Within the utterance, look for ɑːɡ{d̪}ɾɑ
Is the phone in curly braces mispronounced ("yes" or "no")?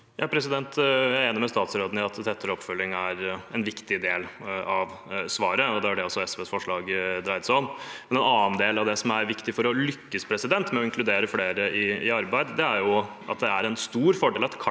no